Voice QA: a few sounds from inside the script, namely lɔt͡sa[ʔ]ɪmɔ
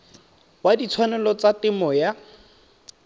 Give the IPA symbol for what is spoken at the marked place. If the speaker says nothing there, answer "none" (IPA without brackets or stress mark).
t